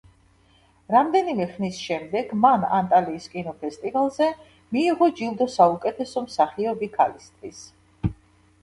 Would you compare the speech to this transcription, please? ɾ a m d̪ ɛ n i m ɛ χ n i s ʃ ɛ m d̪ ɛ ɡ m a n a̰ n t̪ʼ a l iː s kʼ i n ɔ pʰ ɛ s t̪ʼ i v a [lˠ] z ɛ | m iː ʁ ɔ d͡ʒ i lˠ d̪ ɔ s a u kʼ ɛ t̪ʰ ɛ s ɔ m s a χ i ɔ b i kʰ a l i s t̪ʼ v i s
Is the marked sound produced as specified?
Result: yes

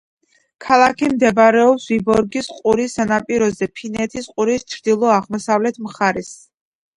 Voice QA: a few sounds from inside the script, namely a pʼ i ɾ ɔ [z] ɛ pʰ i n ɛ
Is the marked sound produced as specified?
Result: yes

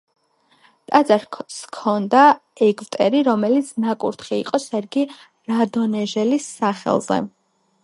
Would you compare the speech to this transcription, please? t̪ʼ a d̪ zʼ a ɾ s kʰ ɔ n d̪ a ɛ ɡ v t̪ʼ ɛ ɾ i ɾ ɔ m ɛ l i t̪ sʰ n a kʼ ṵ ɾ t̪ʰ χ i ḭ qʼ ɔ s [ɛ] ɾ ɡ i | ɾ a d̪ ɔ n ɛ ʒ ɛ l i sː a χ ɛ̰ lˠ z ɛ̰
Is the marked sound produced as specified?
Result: yes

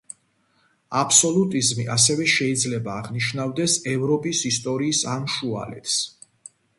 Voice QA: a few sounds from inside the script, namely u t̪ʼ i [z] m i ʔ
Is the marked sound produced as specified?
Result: yes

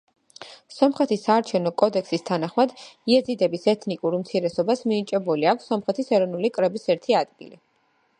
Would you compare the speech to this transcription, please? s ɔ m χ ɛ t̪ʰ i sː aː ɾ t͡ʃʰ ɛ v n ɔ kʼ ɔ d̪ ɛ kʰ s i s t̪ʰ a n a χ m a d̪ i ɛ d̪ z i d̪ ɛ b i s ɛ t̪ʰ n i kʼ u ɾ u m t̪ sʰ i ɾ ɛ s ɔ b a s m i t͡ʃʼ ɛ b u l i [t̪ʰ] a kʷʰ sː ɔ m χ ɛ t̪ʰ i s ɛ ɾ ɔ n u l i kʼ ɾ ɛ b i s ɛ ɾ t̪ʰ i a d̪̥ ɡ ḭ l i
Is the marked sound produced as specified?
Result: no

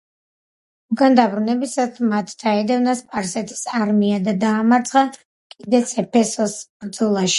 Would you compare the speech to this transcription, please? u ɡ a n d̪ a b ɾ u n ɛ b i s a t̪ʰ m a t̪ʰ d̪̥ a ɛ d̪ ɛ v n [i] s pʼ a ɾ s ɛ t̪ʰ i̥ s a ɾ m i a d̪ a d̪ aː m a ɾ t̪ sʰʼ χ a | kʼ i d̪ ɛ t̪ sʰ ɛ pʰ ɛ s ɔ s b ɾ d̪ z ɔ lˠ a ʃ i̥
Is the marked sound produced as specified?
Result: no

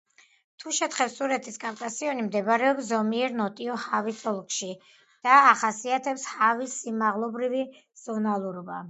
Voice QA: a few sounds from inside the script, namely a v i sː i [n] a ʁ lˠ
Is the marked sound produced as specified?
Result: no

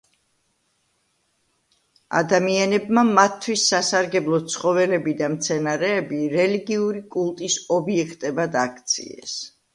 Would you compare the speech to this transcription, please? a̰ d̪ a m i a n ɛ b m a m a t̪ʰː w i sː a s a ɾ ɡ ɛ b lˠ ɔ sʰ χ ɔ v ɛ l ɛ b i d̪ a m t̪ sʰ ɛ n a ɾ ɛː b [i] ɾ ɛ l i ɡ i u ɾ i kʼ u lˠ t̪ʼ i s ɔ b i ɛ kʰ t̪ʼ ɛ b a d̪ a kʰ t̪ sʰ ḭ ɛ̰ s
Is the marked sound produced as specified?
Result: yes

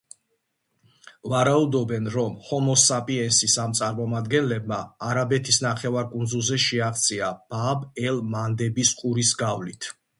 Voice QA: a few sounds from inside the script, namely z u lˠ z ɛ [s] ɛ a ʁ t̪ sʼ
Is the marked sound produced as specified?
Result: no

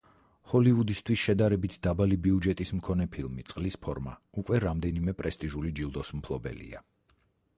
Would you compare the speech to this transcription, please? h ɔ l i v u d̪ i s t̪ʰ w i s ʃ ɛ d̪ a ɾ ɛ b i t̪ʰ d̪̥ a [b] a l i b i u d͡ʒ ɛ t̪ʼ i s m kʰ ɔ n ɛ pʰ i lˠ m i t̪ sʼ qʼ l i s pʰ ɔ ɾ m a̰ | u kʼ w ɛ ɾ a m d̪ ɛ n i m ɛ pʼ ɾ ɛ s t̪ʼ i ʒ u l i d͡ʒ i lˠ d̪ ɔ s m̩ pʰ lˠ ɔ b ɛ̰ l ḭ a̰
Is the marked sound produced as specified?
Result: yes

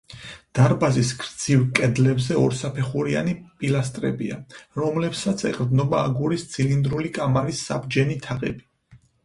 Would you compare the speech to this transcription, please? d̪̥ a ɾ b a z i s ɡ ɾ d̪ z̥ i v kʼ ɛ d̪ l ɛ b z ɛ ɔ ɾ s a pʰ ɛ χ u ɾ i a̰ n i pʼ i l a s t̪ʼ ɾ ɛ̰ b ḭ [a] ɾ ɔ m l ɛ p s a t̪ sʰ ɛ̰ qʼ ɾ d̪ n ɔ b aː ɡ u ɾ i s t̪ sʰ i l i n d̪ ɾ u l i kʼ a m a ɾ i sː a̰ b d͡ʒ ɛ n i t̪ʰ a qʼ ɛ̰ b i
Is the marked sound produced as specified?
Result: yes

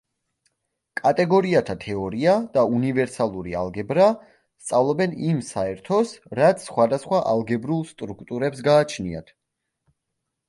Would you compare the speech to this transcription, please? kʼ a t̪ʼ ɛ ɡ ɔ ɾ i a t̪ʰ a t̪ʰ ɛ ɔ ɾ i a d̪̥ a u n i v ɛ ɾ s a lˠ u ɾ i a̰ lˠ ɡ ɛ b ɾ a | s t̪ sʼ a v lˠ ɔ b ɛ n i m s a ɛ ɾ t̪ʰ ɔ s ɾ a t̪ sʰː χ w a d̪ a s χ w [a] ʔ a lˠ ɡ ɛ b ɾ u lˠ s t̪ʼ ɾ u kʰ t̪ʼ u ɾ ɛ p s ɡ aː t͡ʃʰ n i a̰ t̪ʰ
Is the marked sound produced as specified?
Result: yes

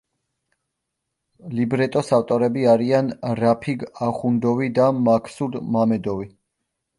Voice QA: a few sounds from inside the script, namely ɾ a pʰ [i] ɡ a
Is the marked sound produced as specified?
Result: yes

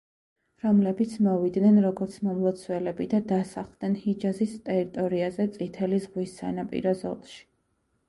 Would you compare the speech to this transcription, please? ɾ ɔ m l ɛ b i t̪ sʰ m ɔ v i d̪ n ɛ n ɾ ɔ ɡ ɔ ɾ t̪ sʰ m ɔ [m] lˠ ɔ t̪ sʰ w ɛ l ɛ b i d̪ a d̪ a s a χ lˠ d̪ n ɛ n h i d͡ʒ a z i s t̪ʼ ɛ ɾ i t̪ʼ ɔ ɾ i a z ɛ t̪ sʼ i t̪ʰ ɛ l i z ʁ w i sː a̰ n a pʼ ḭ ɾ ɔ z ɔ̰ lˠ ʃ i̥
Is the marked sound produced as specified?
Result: yes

